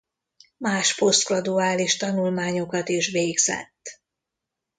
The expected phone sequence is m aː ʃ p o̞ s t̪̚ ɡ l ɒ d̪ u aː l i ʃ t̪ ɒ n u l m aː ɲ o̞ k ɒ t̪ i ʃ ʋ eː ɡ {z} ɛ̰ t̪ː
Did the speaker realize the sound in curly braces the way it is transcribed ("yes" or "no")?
yes